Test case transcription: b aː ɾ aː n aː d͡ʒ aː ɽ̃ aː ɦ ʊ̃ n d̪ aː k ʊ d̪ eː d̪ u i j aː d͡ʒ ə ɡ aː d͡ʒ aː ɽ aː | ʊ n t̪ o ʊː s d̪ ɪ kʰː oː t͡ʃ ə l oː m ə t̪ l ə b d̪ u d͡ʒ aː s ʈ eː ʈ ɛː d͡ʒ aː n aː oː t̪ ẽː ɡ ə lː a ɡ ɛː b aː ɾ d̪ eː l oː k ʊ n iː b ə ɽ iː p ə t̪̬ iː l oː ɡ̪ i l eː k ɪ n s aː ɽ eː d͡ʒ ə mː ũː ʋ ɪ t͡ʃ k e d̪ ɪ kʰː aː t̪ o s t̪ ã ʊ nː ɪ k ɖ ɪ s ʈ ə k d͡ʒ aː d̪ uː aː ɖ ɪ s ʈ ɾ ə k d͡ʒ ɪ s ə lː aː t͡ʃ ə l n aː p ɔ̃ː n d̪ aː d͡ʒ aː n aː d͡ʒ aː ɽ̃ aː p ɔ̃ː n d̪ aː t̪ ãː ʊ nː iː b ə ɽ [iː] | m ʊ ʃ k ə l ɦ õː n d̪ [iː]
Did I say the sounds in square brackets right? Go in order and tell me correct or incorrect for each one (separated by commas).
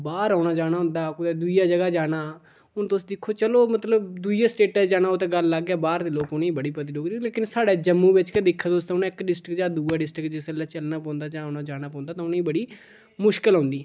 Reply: correct, correct